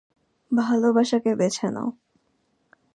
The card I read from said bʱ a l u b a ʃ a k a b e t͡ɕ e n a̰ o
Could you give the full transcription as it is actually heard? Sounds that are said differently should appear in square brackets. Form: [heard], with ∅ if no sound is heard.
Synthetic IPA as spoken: bʱ a l [o] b a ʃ a k [e] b e [t͡ɕʰ] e n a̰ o